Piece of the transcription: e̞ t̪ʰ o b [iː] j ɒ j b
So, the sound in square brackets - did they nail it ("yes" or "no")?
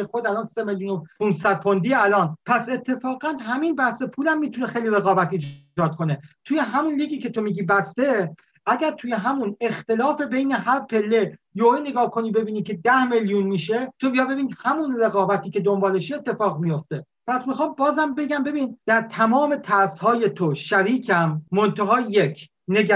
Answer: no